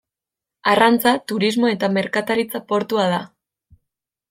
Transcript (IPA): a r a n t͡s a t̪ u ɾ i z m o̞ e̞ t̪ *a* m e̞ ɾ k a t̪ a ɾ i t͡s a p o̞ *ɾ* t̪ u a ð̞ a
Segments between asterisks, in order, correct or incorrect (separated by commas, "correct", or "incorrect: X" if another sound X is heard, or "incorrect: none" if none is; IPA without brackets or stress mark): correct, correct